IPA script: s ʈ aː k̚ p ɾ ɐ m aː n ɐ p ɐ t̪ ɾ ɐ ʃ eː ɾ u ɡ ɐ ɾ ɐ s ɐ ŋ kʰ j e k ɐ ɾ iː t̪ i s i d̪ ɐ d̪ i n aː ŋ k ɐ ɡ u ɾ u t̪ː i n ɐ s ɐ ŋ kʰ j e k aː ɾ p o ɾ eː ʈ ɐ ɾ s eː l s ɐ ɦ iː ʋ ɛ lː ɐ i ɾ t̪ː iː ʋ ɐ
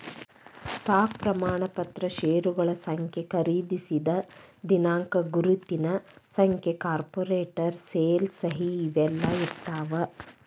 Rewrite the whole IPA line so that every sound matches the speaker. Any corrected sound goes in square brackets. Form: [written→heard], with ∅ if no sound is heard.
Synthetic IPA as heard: s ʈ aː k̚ p ɾ ɐ m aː [n→ɳ] ɐ p ɐ t̪ ɾ ɐ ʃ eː ɾ u ɡ ɐ [ɾ→ɭ] ɐ s ɐ ŋ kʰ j e k ɐ ɾ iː [t̪→d̪] i s i d̪ ɐ d̪ i n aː ŋ k ɐ ɡ u ɾ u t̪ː i n ɐ s ɐ ŋ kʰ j e k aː ɾ p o ɾ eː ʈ ɐ ɾ s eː l s ɐ ɦ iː ʋ ɛ lː ɐ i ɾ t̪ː [iː→aː] ʋ ɐ